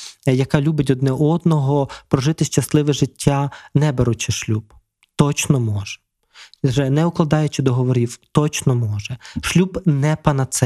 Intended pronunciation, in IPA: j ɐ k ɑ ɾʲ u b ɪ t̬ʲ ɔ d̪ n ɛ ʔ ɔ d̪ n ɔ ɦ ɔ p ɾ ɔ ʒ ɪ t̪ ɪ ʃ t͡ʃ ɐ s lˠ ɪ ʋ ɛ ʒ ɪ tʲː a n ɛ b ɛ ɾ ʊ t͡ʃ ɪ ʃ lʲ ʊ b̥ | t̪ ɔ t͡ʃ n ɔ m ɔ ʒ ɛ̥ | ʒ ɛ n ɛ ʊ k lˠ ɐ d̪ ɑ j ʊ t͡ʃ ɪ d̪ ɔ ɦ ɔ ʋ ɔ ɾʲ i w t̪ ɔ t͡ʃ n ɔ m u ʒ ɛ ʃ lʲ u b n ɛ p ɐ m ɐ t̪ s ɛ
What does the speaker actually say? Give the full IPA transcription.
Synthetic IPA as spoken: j ɐ k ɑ lʲ u b ɪ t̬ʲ ɔ d̪ n ɛ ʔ ɔ d̪ n ɔ ɦ ɔ p ɾ ɔ ʒ ɪ t̪ ɪ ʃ t͡ʃ ɐ s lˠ ɪ ʋ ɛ ʒ ɪ tʲː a n ɛ b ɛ ɾ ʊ t͡ʃ ɪ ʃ lʲ u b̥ | t̪ ɔ t͡ʃ n ɔ m ɔ ʒ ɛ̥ | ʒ ɛ n ɛ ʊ k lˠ ɐ d̪ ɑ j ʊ t͡ʃ ɪ d̪ ɔ ɦ ɔ ʋ ɔ ɾʲ i w t̪ ɔ t͡ʃ n ɔ m ɔ ʒ ɛ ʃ lʲ u b n ɛ p ɐ n ɐ t̪ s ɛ